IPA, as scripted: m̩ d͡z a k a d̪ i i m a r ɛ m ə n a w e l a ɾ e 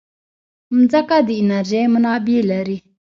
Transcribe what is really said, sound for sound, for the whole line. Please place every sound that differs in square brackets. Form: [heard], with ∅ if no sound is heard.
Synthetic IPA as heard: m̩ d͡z a k a d̪ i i [n] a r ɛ m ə n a [b] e l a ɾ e